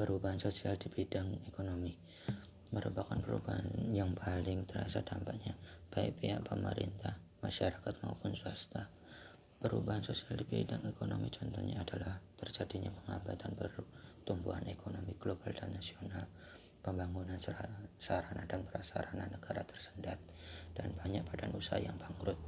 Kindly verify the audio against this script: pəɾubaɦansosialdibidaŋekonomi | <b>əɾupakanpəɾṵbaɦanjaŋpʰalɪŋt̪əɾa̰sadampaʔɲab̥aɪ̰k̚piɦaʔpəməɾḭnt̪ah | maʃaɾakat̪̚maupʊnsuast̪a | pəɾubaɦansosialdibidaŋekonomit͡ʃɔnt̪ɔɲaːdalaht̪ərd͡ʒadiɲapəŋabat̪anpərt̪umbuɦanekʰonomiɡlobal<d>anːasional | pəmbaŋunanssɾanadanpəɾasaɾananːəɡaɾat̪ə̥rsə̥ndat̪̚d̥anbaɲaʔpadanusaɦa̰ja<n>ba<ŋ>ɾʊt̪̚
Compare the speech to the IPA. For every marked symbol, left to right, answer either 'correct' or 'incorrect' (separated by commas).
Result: incorrect, correct, incorrect, correct